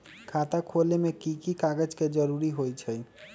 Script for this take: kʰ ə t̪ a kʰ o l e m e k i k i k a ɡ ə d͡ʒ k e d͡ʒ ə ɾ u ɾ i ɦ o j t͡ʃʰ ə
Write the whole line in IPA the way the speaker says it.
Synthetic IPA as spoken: kʰ a t̪ a kʰ o l e m e k i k i k a ɡ ə d͡ʒ k e d͡ʒ ə ɾ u ɾ i ɦ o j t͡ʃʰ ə